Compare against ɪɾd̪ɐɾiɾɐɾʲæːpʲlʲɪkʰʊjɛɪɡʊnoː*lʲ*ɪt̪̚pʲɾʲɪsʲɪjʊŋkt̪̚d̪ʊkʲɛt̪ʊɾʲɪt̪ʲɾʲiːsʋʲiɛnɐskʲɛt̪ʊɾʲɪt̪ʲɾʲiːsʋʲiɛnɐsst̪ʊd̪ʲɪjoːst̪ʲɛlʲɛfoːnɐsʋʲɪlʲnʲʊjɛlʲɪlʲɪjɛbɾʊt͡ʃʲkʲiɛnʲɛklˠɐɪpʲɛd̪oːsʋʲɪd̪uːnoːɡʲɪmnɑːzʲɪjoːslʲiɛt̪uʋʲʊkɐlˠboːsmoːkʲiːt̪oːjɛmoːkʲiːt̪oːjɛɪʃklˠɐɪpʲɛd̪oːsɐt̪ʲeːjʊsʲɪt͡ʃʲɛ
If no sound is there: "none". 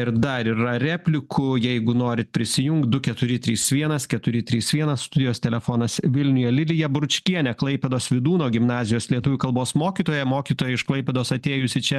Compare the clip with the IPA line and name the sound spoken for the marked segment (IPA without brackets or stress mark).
ɾʲ